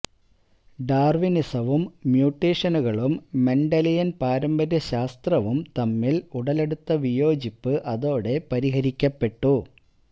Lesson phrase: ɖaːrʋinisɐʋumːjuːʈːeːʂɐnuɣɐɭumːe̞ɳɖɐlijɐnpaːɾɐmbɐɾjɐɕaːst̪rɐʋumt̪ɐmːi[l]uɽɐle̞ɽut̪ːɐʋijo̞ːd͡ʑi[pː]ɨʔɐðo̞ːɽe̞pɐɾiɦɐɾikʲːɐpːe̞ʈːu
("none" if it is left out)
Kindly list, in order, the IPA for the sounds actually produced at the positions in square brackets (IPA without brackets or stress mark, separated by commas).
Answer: l, pː